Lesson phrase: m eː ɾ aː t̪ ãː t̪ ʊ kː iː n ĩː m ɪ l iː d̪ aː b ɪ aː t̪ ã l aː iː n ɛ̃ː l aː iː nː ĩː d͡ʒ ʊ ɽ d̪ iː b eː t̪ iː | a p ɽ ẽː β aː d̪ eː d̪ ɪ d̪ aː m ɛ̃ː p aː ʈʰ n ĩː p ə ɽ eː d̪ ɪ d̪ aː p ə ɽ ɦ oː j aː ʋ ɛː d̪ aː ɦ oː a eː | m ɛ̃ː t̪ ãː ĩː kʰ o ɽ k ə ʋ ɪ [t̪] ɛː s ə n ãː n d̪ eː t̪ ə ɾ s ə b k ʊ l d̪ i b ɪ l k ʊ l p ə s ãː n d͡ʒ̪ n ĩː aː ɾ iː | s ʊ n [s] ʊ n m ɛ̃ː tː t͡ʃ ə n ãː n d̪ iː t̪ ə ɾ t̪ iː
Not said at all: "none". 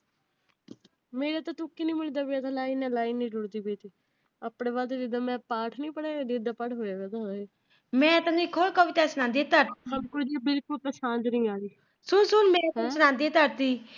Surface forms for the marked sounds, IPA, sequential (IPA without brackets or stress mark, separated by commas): t̪, s